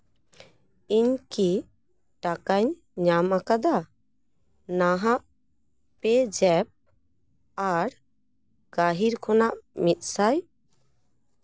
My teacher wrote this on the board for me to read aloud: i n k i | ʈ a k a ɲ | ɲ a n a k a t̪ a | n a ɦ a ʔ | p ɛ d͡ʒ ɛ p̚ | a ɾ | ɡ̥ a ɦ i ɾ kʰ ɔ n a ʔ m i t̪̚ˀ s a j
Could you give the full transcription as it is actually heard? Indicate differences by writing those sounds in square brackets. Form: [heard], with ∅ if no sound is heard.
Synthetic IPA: i [ɲ] k i | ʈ a k a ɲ | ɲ a [m] a k a [d̪] a | n a ɦ a ʔ | p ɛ d͡ʒ ɛ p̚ | a ɾ | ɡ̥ a ɦ i ɾ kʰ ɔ n a ʔ m i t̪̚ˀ s a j